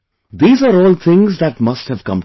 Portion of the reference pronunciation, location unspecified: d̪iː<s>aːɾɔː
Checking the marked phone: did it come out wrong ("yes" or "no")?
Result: yes